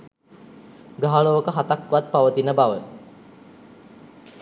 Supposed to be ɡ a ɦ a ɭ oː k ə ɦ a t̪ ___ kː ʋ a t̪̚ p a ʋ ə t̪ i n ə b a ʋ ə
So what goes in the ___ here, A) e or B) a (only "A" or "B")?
B